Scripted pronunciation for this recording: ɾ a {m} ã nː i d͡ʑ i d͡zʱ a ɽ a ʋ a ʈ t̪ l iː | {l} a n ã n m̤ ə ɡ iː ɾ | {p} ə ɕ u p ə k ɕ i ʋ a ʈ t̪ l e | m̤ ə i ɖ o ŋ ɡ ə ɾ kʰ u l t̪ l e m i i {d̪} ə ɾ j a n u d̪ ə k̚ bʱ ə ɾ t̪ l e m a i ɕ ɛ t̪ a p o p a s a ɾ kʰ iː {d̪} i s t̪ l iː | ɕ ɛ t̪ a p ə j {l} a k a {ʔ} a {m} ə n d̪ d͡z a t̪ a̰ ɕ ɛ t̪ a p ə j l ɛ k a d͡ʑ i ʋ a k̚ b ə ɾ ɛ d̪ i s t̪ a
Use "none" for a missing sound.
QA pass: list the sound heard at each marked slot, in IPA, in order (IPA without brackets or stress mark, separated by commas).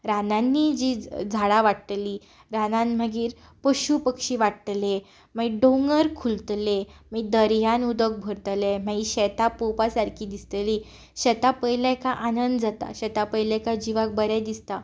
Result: n, ɾ, p, d̪, d̪, l, ʔ, n